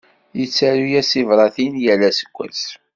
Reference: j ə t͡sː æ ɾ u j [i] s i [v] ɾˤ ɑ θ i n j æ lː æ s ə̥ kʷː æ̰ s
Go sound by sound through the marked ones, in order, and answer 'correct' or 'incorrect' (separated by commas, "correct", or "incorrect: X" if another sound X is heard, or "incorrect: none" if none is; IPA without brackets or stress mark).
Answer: incorrect: æ, correct